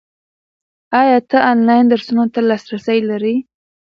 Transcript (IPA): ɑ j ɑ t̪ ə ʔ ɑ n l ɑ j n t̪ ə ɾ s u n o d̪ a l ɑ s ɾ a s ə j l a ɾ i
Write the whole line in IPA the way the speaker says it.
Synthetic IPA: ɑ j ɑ t̪ ə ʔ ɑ n l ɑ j n d̪ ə ɾ s u n o t̪ a l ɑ s ɾ a s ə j l a ɾ i